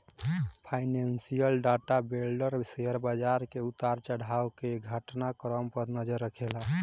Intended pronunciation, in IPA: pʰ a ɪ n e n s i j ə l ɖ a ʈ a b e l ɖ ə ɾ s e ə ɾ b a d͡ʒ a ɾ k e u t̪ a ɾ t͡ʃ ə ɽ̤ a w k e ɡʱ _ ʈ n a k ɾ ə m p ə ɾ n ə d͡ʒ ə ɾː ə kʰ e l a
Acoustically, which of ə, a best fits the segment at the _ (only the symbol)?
ə